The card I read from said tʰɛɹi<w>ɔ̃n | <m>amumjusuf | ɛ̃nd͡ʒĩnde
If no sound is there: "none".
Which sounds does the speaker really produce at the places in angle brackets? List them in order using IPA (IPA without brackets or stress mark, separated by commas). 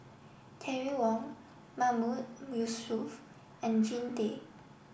w, m